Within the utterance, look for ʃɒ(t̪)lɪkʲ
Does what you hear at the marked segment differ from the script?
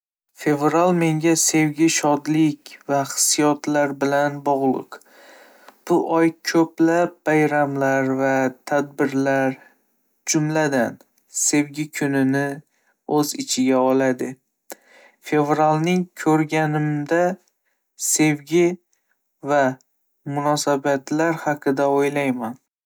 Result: yes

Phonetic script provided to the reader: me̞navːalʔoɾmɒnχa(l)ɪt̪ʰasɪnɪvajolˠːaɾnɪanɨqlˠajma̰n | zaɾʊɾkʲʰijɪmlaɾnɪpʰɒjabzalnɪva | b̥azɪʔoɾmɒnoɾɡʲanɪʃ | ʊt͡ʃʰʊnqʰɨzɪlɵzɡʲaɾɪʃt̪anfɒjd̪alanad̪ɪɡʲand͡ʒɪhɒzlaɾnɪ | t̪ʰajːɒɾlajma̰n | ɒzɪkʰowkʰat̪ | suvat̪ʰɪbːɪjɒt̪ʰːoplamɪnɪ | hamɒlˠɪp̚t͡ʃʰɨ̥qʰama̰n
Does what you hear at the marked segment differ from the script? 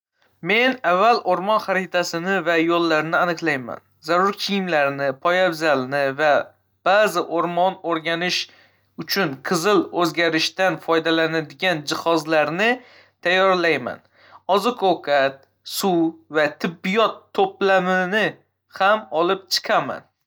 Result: yes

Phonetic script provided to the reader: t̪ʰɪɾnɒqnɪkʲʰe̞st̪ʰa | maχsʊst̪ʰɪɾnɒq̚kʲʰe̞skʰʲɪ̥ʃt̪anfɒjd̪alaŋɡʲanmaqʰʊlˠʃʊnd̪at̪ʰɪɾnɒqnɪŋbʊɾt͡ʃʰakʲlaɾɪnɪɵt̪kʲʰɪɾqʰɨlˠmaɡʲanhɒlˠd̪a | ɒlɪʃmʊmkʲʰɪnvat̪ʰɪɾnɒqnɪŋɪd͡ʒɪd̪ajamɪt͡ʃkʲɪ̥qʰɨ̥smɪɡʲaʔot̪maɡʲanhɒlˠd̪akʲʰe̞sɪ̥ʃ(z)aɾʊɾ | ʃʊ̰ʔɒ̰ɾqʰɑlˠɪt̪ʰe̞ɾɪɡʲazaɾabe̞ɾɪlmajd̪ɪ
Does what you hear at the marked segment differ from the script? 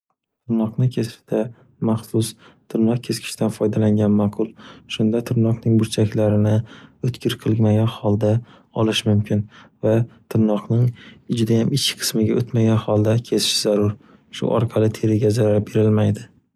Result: no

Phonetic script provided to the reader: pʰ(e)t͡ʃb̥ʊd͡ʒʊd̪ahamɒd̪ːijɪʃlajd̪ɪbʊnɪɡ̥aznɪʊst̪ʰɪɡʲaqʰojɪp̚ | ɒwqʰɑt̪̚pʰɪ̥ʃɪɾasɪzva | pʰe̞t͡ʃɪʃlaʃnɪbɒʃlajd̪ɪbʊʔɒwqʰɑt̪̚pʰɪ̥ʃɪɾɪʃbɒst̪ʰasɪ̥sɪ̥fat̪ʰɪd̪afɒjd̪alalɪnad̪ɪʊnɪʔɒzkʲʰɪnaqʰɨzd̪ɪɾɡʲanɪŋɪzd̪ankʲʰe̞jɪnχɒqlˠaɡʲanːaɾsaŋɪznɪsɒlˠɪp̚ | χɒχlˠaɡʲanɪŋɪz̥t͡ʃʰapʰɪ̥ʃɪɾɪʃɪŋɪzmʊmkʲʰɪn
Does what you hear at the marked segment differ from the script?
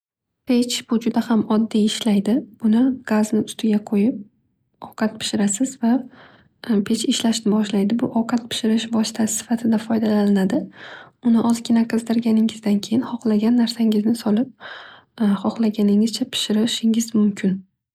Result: no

